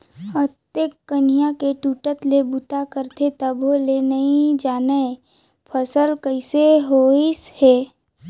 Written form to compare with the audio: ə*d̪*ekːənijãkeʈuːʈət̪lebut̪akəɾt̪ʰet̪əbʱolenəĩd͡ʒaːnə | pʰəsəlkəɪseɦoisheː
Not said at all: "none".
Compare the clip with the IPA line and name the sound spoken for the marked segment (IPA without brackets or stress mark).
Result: t̪